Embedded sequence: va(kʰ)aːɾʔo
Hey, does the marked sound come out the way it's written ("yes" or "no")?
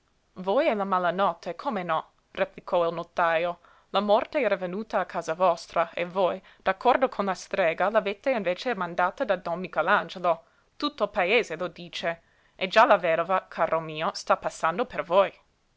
yes